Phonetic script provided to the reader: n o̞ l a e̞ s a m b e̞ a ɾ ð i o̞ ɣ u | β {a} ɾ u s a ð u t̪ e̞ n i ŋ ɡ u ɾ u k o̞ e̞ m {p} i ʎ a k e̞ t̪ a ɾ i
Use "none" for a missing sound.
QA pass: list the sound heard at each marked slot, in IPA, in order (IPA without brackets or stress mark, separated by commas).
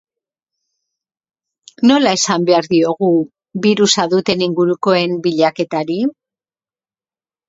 i, b